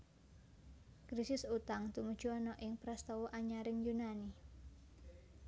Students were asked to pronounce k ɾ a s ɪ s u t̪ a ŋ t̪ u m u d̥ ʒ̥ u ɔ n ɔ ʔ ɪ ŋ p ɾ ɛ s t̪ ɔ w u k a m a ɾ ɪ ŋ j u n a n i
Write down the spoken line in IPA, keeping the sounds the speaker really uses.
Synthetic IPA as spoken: k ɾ i s ɪ s u t̪ a ŋ t̪ u m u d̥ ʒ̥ u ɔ n ɔ ʔ ɪ ŋ p ɾ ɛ s t̪ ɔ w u ʔ a ɲ a ɾ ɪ ŋ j u n a n i